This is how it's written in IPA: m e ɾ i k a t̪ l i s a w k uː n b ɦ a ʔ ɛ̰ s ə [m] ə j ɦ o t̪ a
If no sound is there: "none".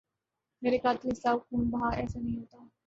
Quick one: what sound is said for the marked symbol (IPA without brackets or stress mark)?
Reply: n